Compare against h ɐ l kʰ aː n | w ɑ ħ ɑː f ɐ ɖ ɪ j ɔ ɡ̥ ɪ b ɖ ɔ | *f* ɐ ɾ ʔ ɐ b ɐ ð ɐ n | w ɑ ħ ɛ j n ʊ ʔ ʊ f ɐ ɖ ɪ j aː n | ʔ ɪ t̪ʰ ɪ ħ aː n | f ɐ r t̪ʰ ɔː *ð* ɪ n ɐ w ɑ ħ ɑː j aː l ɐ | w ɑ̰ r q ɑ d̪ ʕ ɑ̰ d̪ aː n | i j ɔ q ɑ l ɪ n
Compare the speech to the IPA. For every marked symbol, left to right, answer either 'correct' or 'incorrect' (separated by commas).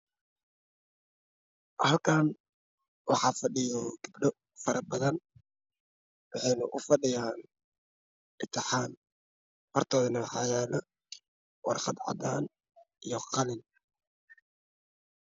correct, correct